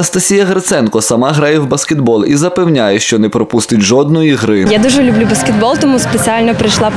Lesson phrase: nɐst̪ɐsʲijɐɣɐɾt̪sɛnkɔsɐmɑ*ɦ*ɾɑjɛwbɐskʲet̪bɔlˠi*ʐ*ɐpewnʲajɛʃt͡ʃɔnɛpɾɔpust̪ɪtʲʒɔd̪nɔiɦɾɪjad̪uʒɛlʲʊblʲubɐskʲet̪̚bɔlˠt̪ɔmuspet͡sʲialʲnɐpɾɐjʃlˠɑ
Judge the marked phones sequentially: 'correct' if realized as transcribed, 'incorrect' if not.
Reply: correct, incorrect

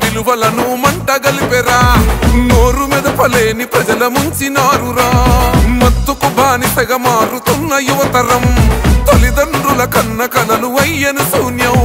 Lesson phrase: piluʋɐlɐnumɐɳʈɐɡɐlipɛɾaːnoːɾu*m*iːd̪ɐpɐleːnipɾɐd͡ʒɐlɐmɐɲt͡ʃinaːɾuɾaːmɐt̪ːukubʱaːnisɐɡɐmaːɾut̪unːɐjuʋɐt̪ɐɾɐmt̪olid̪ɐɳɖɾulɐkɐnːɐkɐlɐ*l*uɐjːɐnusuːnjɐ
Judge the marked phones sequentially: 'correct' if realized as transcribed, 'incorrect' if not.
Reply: correct, correct

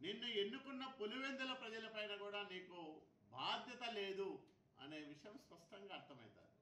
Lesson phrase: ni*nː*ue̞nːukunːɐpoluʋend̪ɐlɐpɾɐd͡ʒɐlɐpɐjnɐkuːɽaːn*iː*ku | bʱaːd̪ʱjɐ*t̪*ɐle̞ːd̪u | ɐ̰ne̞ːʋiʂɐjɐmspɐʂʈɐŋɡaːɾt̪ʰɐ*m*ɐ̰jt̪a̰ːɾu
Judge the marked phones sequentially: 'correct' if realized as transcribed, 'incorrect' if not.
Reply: correct, correct, correct, correct

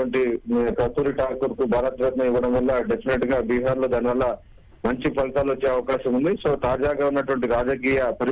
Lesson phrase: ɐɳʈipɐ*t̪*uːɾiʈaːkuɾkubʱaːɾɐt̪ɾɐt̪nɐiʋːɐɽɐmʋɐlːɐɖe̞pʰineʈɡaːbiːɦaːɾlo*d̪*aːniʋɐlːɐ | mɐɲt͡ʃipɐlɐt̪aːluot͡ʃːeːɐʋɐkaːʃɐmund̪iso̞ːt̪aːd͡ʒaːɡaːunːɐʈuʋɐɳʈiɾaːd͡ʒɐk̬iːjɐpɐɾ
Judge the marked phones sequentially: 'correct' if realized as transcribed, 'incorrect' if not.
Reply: correct, correct

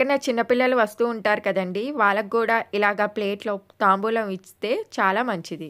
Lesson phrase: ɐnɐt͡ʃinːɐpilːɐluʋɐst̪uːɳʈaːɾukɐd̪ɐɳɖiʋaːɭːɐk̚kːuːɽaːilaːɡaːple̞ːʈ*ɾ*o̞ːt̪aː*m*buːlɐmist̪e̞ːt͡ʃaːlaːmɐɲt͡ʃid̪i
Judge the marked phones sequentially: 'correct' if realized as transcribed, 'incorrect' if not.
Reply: incorrect, correct

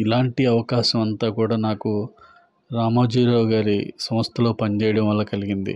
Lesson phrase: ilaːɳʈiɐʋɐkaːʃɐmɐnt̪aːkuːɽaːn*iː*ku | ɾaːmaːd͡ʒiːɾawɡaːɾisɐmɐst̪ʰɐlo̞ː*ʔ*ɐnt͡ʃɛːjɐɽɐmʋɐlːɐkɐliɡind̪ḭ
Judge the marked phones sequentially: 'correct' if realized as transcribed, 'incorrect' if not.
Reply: incorrect, incorrect

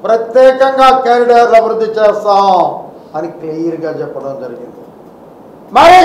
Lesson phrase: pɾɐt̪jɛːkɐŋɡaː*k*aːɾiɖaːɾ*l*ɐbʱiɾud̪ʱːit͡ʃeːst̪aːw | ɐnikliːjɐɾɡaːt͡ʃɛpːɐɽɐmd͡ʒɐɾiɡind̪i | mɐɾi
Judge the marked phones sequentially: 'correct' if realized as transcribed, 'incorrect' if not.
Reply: correct, correct

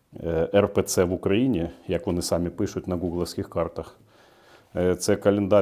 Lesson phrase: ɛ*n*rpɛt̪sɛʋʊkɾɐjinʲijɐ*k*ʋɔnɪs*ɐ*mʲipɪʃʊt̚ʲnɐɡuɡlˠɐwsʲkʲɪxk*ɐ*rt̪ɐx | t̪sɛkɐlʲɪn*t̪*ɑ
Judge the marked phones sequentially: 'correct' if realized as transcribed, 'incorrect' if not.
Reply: incorrect, correct, incorrect, incorrect, incorrect

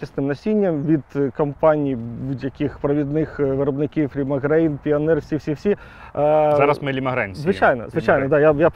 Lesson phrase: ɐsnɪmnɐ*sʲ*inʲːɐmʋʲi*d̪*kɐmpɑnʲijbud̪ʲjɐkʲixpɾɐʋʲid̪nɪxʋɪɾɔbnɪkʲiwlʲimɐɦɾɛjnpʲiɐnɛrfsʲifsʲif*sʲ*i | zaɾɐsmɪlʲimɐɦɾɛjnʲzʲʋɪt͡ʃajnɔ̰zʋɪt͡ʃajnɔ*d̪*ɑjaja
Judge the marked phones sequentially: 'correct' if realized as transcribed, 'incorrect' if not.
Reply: correct, correct, correct, correct

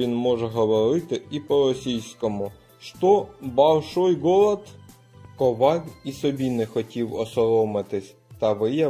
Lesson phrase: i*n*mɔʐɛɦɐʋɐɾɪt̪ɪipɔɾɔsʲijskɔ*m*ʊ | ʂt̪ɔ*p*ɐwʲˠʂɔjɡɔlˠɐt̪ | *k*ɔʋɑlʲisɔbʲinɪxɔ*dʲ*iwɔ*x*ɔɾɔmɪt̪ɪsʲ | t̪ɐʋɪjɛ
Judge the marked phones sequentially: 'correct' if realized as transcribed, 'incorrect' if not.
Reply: correct, correct, incorrect, correct, incorrect, incorrect

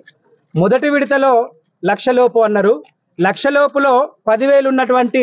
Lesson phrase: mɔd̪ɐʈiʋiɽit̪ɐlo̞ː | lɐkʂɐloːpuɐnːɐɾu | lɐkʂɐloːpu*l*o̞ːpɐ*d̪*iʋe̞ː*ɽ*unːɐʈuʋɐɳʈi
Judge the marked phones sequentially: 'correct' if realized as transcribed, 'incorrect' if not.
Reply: correct, correct, incorrect

